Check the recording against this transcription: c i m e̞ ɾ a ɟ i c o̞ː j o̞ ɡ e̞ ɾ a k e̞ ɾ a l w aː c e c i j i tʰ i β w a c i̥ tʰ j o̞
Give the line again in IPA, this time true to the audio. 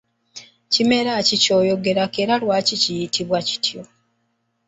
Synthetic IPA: c i m e̞ ɾ a c i c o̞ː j o̞ ɡ e̞ ɾ a k e̞ ɾ a l w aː c i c i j i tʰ i β w a c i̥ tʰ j o̞